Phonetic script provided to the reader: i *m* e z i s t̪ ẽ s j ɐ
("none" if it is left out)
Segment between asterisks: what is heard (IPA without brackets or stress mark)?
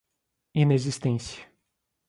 n